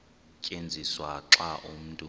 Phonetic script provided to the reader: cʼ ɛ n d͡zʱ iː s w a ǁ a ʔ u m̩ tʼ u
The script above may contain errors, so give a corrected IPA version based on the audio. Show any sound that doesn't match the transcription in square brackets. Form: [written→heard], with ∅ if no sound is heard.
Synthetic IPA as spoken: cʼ [ɛ→e] n d͡zʱ [iː→i] s w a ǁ a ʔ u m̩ tʼ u